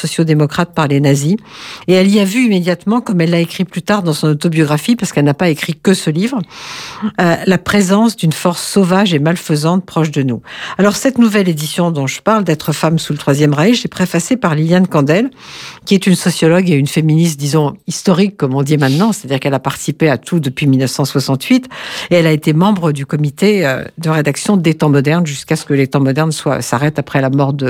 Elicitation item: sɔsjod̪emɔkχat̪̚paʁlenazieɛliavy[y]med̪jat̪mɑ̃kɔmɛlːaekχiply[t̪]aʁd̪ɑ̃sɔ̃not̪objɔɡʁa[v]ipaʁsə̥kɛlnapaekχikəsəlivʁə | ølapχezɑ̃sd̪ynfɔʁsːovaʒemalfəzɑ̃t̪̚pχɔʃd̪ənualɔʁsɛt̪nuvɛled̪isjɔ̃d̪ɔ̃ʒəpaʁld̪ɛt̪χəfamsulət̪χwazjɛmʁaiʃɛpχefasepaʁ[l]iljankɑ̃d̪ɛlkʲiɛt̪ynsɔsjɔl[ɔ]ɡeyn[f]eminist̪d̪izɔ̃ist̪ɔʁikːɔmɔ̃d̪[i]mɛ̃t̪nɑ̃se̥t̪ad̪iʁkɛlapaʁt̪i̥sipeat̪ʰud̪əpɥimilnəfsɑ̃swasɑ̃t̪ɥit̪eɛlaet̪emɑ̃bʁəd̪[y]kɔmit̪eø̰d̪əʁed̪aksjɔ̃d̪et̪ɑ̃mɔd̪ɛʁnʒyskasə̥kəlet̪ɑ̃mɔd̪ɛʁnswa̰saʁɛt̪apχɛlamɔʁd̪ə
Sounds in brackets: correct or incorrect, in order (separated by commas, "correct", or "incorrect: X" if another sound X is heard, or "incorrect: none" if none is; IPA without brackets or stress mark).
incorrect: i, correct, incorrect: f, correct, correct, correct, correct, correct